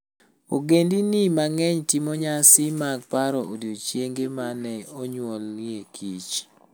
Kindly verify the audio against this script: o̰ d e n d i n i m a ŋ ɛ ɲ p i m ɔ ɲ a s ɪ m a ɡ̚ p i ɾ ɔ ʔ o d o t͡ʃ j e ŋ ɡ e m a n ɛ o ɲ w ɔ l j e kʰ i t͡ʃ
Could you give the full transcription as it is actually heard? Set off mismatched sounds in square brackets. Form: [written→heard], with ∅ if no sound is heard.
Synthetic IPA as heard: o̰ [d→ɡ] e n d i n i m a ŋ ɛ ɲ [p→t] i m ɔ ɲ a s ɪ m a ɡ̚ p [i→a] ɾ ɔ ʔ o d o t͡ʃ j e ŋ ɡ e m a n ɛ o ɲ w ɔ l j e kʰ i t͡ʃ